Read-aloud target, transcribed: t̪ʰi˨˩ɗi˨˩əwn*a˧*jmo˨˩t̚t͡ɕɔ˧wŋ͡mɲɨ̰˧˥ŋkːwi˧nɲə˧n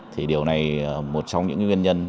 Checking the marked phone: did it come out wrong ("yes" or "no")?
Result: yes